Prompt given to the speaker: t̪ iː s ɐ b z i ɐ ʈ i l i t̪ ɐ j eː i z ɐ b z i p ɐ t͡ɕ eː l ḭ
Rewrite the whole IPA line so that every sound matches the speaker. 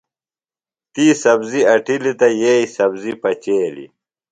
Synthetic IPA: t̪ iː s ɐ b z i ɐ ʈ i l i t̪ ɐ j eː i s ɐ b z i p ɐ t͡ɕ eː l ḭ